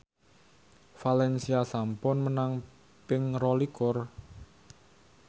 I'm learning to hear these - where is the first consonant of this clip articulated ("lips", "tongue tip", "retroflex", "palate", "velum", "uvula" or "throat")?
lips